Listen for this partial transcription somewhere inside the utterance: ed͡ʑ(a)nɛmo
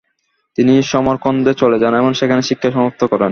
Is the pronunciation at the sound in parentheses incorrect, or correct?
correct